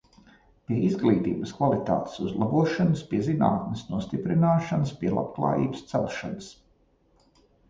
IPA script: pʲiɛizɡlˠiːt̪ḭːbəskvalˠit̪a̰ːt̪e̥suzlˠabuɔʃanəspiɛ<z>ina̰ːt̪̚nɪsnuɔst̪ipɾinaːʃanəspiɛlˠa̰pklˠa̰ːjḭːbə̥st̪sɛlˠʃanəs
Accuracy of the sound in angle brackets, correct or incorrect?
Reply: correct